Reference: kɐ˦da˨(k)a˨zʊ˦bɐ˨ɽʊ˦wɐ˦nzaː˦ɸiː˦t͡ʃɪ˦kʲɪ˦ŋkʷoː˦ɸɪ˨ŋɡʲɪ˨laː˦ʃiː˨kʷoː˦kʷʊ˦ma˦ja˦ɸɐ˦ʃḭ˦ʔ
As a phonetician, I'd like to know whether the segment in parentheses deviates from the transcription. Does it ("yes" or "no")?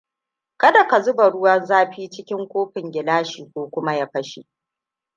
no